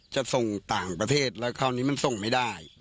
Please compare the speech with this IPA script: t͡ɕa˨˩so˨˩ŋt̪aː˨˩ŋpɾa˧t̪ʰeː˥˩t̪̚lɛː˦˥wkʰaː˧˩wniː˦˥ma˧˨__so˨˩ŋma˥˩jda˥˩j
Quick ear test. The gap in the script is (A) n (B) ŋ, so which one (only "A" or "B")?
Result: A